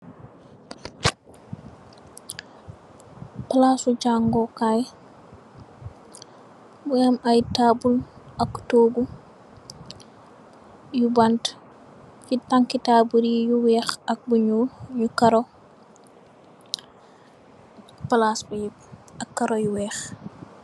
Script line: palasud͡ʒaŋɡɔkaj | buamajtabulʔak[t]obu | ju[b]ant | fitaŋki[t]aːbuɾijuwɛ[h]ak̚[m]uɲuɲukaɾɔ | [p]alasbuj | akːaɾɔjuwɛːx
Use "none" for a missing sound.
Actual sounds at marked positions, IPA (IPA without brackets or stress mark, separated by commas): t, b, t, x, b, p